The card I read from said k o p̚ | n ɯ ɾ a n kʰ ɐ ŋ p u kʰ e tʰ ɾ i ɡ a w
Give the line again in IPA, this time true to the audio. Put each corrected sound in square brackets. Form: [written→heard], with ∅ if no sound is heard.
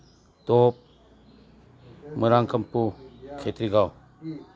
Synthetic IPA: [k→t] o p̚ | [n→m] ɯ ɾ a [n→ŋ] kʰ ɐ [ŋ→m] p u kʰ e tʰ ɾ i ɡ a w